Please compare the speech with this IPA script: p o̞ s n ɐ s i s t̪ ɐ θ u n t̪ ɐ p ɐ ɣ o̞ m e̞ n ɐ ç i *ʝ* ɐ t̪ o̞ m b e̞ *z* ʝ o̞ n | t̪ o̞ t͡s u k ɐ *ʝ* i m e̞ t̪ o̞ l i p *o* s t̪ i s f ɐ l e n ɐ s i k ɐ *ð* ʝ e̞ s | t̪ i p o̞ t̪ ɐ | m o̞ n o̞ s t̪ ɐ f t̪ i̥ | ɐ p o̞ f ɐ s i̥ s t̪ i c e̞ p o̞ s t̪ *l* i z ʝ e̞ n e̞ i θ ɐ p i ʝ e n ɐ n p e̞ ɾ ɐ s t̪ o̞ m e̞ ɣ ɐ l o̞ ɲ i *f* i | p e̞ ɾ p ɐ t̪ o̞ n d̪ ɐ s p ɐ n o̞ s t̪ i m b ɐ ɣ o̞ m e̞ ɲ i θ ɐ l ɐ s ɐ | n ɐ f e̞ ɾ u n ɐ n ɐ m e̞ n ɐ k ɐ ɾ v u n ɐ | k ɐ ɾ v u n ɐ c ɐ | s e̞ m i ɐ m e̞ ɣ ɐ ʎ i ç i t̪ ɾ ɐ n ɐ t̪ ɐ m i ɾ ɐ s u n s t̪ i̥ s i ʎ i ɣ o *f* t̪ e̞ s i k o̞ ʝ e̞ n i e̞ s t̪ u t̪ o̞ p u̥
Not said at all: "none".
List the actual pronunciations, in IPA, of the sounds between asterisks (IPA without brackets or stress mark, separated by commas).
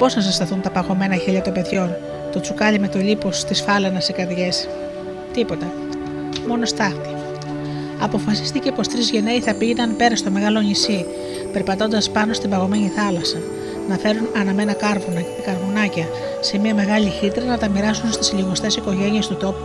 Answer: ʎ, ð, ʎ, o, ð, ɾ, s, s